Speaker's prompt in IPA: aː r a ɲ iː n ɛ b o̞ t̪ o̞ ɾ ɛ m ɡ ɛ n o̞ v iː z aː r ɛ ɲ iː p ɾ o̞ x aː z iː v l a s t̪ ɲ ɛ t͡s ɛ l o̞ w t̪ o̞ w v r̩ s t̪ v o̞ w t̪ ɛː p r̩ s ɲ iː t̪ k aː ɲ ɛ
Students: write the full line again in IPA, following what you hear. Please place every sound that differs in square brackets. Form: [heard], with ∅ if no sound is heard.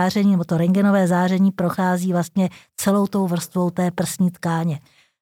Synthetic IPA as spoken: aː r [ɛ] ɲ iː n ɛ b o̞ t̪ o̞ ɾ ɛ [ŋ] ɡ ɛ n o̞ v [ɛː] z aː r ɛ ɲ iː p ɾ o̞ x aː z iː v l a s t̪ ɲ ɛ t͡s ɛ l o̞ w t̪ o̞ w v r̩ s t̪ v o̞ w t̪ ɛː p r̩ s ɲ iː t̪ k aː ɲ ɛ